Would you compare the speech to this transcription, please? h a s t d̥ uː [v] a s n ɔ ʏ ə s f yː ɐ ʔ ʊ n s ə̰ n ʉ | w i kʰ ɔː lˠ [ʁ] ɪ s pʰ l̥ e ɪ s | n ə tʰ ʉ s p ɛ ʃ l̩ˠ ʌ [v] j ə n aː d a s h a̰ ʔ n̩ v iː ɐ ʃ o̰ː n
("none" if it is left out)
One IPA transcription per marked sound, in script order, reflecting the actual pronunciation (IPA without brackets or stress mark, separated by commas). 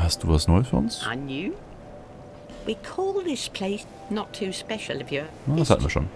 v, ð, v